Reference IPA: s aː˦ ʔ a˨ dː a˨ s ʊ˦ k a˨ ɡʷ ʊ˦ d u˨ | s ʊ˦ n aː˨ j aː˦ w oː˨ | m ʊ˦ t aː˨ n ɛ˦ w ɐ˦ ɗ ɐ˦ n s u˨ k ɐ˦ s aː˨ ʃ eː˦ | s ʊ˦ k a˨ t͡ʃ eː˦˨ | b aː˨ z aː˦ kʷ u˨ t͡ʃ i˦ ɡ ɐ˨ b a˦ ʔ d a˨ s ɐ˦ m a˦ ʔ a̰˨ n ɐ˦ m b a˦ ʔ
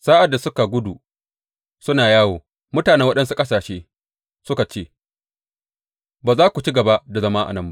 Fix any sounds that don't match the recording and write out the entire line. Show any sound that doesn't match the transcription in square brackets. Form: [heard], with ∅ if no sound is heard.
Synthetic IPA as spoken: s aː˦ ʔ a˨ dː a˨ s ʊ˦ k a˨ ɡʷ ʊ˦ d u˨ | s ʊ˦ n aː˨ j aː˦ w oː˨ | m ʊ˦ t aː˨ n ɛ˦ w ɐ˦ ɗ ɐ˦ n s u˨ [kʼ] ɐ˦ s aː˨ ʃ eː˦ | s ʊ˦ k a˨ t͡ʃ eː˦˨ | b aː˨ z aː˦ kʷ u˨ t͡ʃ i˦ ɡ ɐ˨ b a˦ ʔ d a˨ [z] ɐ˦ m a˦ ʔ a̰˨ n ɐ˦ m b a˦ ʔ